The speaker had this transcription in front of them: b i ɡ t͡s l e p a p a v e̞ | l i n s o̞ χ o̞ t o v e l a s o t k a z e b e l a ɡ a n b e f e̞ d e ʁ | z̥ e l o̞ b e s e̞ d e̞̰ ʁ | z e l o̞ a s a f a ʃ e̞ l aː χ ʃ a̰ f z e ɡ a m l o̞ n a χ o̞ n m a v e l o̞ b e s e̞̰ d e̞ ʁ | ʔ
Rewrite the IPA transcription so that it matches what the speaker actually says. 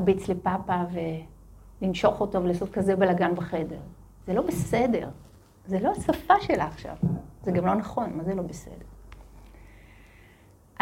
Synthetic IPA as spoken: b i t͡s l e p a p a v e̞ | l i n ʃ o̞ χ o̞ t o v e l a s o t k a z e b e l a ɡ a n b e χ e̞ d e ʁ | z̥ e l o̞ b e s e̞ d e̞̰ ʁ | z e l o̞ a s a f a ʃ e̞ l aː χ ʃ a̰ v z e ɡ a m l o̞ n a χ o̞ n m a z e l o̞ b e s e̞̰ d e̞ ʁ | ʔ